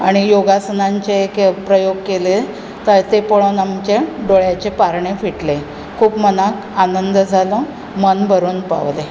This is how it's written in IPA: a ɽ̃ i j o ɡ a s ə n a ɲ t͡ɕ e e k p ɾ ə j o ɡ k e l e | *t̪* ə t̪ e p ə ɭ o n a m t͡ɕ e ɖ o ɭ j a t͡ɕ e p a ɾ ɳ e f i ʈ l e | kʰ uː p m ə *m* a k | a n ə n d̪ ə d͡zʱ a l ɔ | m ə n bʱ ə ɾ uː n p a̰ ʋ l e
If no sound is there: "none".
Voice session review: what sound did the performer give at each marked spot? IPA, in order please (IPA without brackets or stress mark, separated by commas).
t̪, n